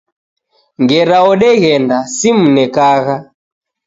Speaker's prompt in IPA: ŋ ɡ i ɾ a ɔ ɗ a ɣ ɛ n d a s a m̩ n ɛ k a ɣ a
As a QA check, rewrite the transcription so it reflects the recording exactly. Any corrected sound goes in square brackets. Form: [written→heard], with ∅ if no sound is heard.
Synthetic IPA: ŋ ɡ [i→ɛ] ɾ a ɔ ɗ [a→ɛ] ɣ ɛ n d a s [a→i] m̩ n ɛ k a ɣ a

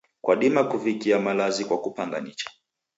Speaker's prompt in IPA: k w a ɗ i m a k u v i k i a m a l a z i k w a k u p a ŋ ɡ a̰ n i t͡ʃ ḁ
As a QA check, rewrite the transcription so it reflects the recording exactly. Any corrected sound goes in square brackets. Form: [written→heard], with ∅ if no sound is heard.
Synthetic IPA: k w a ɗ i m a k u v i k i a m a l a z i k w a k u p a ŋ ɡ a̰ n i t͡ʃ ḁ

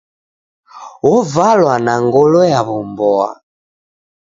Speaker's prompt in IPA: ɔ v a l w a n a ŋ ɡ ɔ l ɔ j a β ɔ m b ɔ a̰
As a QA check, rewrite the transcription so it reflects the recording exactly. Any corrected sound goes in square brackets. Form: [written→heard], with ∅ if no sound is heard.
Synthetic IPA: ɔ v a l w a n a ŋ ɡ ɔ l ɔ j a β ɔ m b ɔ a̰

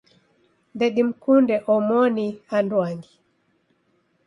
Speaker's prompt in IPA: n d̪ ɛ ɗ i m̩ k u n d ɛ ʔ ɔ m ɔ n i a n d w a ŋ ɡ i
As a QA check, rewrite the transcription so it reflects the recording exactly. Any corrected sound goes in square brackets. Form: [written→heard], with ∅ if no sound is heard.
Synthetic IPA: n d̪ ɛ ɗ i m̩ k u n d ɛ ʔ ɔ m ɔ n i a n d w a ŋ ɡ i

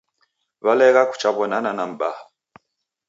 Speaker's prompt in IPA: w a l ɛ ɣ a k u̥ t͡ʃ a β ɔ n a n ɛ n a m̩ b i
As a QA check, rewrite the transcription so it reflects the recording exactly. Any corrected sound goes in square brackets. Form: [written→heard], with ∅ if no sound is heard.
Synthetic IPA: [w→β] a l ɛ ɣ a k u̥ t͡ʃ a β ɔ n a n [ɛ→a] n a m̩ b [i→a]

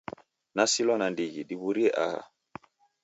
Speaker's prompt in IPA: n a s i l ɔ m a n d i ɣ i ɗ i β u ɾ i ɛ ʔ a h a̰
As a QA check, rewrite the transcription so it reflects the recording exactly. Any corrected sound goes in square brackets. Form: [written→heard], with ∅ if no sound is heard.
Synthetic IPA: n a s i l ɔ [m→n] a n d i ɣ i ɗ i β u ɾ i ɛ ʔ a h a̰

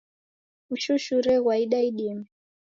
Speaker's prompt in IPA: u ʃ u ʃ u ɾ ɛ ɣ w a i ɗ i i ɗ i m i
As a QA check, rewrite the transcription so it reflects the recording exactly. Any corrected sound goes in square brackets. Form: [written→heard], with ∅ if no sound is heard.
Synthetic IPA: u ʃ u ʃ u ɾ ɛ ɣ w a i ɗ [i→a] i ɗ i m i

